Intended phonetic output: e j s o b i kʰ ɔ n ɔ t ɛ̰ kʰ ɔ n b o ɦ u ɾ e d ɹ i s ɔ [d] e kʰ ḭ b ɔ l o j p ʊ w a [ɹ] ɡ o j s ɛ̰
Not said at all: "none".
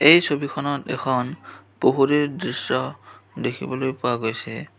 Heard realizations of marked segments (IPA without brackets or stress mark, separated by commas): d, none